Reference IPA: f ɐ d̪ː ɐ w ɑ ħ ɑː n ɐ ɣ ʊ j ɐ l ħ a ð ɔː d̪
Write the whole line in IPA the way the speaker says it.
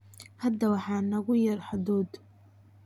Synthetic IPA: h ɐ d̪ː ɐ w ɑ ħ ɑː n ɐ ɣ ʊ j ɐ r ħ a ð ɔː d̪